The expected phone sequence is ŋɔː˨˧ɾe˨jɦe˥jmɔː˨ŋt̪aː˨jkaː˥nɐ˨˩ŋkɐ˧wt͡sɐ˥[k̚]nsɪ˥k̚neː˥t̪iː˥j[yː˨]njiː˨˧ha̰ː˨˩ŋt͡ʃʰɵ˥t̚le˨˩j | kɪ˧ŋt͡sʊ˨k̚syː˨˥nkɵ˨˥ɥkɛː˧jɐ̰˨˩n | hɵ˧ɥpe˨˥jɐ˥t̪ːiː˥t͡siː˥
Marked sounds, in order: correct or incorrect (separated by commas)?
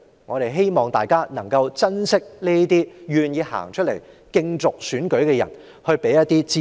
incorrect, correct